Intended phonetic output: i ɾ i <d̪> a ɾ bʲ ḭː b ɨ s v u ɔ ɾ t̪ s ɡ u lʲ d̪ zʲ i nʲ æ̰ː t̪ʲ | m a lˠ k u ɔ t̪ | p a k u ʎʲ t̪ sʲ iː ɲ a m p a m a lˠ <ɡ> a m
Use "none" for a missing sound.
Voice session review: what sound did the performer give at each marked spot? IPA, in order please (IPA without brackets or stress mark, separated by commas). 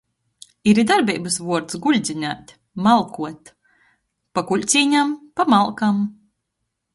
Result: d̪, k